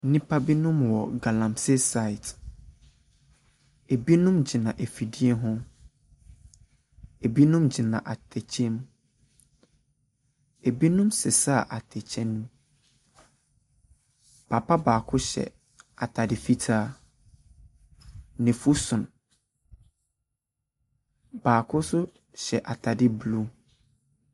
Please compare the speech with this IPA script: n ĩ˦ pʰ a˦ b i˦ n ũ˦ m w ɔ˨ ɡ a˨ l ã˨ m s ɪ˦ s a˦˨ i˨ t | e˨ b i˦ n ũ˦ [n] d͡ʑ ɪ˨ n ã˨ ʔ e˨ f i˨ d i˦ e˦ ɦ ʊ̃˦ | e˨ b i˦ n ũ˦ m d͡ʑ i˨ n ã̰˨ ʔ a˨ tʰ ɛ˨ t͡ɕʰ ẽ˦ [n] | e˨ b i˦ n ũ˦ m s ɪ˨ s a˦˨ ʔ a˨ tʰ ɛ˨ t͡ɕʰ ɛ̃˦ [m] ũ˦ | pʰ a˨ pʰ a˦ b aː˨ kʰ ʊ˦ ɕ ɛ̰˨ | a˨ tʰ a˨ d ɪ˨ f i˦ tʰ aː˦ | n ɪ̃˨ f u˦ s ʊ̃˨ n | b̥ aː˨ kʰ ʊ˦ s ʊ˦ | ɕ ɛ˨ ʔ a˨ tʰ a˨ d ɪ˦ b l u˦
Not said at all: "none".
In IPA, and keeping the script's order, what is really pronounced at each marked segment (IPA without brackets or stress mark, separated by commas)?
m, m, n